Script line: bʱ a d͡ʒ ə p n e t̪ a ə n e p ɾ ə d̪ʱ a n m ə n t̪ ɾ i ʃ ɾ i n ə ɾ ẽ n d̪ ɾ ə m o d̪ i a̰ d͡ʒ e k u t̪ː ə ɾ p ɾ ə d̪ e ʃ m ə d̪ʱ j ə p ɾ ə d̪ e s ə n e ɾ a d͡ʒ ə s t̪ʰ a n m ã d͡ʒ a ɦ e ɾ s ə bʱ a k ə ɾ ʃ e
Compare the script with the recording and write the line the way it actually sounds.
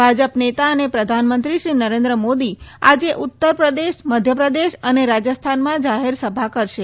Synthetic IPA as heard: bʱ a d͡ʒ ə p n e t̪ a ə n e p ɾ ə d̪ʱ a n m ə n t̪ ɾ i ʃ ɾ i n ə ɾ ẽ n d̪ ɾ ə m o d̪ i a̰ d͡ʒ e ʔ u t̪ː ə ɾ p ɾ ə d̪ e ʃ m ə d̪ʱ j ə p ɾ ə d̪ e ʃ ə n e ɾ a d͡ʒ ə s t̪ʰ a n m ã d͡ʒ a ɦ e ɾ s ə bʱ a k ə ɾ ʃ e